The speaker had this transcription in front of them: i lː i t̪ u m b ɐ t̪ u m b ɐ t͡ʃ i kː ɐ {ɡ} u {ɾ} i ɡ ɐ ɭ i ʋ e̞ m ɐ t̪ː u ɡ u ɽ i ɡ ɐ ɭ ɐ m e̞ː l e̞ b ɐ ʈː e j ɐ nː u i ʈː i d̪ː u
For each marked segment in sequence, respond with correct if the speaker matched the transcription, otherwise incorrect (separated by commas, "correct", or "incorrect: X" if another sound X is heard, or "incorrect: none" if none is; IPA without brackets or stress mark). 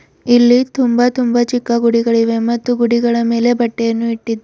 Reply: correct, incorrect: ɽ